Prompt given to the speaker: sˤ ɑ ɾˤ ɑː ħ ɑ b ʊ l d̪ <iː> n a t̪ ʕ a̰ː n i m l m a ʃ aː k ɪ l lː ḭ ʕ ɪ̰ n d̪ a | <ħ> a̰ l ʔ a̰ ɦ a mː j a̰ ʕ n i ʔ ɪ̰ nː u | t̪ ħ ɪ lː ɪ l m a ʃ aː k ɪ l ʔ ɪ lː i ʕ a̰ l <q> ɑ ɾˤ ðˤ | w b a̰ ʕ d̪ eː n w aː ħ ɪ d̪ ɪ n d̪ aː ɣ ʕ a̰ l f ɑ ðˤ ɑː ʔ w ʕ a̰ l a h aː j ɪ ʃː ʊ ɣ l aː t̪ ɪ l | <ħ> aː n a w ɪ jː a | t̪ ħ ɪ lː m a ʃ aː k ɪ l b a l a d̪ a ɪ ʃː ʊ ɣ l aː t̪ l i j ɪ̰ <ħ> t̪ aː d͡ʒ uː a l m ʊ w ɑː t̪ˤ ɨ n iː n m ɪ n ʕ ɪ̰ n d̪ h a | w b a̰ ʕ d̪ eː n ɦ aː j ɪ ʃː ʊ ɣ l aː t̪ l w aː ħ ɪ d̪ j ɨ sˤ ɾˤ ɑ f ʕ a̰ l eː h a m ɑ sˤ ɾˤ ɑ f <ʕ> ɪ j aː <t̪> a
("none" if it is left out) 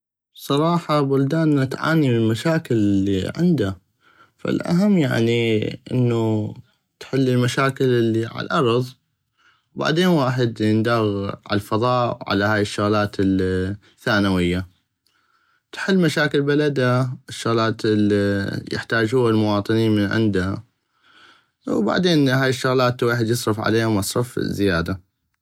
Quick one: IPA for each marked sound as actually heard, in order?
aː, f, ʔ, θ, ħ, z, d̪

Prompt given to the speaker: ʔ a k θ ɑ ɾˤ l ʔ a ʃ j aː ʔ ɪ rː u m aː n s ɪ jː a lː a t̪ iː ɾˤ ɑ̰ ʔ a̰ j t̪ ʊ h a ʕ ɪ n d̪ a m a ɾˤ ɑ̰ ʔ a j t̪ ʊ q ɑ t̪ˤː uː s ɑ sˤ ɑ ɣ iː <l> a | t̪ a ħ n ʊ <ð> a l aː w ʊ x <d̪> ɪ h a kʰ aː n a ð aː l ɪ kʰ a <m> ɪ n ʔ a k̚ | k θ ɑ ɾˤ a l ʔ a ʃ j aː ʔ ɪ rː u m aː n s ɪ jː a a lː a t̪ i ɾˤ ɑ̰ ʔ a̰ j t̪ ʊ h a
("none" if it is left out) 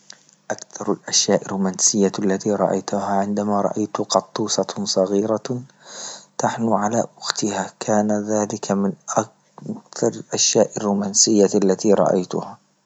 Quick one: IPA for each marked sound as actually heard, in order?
ɾ, ʕ, t̪, m

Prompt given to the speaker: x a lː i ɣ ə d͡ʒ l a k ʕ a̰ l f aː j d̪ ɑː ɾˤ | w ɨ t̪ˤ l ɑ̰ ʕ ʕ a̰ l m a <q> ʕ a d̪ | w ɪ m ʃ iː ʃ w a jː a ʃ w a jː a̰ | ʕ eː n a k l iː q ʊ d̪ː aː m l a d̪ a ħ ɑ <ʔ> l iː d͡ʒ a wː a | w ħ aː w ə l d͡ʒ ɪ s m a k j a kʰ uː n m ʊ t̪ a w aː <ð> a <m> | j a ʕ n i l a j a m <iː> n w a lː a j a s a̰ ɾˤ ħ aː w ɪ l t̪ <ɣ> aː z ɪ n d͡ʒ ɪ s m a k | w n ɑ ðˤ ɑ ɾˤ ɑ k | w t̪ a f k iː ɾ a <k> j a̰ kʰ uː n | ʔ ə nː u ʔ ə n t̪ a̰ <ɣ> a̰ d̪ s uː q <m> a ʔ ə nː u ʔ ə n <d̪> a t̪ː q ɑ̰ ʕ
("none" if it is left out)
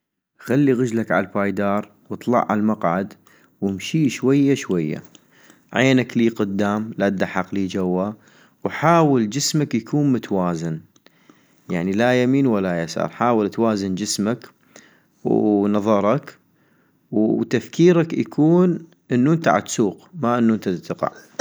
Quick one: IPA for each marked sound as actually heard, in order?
q, q, z, n, iː, w, k, ʕ, m, t̪

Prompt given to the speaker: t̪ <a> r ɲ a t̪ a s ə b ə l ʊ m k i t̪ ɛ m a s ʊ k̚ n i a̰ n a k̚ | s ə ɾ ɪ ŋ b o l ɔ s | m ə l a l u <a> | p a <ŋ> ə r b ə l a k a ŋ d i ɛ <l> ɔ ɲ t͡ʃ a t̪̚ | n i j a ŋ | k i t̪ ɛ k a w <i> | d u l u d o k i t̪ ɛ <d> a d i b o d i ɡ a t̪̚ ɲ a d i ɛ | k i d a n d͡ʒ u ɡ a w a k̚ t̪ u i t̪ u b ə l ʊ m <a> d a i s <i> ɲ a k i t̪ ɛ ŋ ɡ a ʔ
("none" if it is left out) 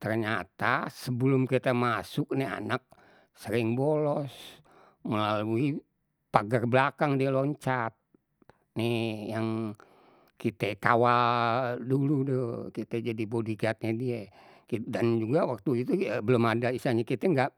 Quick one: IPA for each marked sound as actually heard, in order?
ə, i, ɡ, l, a, d͡ʒ, a, a

